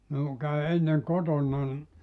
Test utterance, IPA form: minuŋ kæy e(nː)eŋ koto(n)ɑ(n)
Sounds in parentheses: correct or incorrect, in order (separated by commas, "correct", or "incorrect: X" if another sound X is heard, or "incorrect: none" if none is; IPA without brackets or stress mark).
correct, incorrect: nː, correct